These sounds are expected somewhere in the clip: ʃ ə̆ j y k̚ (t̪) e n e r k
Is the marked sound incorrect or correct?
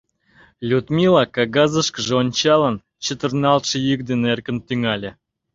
incorrect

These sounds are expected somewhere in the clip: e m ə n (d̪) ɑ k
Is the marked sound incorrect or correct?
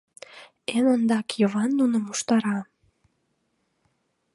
correct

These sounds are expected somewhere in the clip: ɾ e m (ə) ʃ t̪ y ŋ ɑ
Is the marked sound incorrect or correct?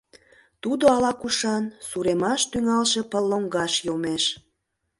incorrect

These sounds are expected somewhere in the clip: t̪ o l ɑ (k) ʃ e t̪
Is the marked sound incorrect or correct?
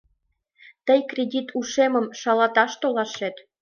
incorrect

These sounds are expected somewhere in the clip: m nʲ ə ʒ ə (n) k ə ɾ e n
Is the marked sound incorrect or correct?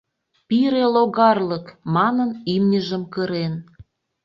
incorrect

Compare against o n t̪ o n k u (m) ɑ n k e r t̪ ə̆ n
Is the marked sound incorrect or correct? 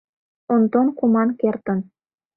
correct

